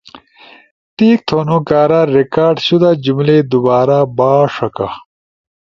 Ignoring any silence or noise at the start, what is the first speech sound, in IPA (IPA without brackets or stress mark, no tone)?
t̪